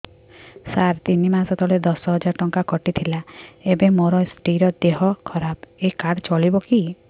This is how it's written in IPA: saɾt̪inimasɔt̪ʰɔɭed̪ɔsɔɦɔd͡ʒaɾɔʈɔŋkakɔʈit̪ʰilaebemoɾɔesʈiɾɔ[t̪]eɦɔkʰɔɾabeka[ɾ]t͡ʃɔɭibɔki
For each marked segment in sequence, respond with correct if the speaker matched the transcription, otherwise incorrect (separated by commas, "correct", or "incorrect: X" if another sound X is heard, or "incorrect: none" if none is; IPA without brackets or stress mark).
incorrect: d̪, incorrect: ɽ